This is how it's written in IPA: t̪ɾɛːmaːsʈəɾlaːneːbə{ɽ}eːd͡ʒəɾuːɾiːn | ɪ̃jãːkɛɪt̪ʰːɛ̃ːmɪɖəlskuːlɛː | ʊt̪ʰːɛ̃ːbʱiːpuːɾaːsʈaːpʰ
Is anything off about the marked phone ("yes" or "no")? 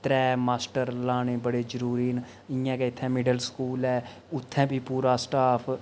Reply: no